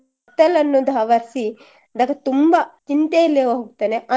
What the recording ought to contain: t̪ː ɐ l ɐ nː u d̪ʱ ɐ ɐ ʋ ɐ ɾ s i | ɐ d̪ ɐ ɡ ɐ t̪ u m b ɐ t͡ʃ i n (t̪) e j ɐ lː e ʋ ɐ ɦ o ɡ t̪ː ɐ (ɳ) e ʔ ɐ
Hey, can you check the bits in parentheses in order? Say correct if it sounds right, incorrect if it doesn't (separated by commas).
correct, incorrect